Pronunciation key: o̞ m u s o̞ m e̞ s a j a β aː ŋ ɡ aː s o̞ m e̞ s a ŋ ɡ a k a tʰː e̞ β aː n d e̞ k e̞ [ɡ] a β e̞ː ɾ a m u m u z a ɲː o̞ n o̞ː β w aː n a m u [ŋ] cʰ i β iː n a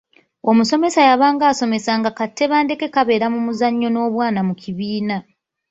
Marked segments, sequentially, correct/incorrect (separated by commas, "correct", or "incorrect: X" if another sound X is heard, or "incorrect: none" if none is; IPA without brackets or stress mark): incorrect: k, incorrect: none